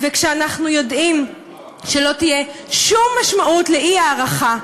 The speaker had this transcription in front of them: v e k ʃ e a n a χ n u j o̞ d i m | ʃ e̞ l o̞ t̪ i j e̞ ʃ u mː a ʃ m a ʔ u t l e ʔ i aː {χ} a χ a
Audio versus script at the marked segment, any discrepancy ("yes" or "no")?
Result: yes